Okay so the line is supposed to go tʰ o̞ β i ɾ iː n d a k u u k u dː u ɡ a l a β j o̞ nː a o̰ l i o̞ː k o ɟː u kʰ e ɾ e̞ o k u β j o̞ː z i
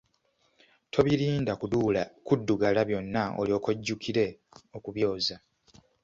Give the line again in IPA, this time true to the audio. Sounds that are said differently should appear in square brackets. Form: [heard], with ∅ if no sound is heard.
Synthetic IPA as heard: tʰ o̞ β i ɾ iː n d a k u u k u dː u ɡ a l a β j o̞ nː a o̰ l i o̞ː k o ɟː u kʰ [i] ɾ e̞ o k u β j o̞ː z [a]